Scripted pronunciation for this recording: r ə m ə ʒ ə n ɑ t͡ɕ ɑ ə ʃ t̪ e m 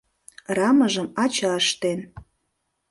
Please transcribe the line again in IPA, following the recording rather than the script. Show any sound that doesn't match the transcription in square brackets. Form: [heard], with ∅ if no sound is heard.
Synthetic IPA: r [ɑ] m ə ʒ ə [m] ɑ t͡ɕ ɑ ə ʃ t̪ e [n]